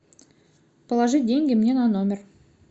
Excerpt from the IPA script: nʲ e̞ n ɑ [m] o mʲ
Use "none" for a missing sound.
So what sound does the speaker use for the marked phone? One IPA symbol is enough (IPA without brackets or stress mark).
n